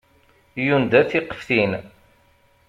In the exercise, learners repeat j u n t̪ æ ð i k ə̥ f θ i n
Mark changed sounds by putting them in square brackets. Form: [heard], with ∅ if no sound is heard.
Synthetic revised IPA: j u n [d̪] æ [θ] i [q] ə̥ f θ i n